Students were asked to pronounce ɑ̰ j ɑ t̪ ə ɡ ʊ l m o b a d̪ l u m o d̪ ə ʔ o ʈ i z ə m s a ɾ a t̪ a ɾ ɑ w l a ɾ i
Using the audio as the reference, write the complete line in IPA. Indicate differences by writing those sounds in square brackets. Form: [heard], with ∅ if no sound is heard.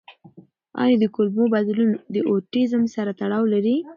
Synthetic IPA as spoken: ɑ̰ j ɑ [d̪] ə [k] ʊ l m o b a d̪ l u [n] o d̪ ə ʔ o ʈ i z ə m s a ɾ a t̪ a [ɽ] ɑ w l a ɾ i